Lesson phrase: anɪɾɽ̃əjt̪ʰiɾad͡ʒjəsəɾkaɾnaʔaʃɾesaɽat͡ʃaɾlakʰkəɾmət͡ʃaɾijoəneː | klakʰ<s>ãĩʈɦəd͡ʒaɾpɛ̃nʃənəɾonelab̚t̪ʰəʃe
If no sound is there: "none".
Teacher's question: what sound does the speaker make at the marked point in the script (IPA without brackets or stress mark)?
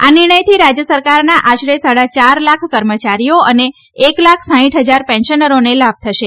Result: s